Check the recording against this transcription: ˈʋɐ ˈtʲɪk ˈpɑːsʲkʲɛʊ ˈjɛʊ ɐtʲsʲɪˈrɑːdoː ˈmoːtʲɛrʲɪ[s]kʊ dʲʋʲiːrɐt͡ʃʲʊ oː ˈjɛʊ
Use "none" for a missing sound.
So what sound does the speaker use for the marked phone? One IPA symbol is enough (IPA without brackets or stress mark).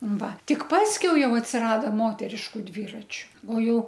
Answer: ʃ